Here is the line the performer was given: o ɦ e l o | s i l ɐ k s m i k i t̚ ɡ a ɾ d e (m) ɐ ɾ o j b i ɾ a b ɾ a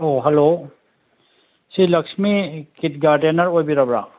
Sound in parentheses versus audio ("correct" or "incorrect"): incorrect